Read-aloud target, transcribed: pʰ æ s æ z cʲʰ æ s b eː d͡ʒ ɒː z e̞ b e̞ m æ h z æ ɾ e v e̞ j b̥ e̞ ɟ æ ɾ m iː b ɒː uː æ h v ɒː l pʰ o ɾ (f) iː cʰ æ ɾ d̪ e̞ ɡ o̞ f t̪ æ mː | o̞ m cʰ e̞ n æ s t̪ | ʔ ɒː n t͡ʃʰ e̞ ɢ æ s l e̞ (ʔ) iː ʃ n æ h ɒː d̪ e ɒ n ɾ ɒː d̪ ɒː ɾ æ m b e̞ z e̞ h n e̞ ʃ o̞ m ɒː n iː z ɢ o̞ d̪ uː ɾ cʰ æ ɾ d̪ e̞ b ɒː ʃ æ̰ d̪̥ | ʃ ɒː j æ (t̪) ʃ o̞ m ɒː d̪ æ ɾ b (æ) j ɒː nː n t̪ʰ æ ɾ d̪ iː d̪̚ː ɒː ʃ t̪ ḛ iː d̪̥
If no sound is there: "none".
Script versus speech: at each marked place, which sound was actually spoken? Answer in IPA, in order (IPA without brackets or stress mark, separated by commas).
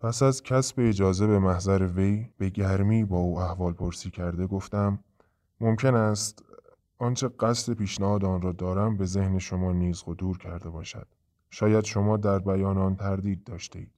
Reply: s, p, d̪, æ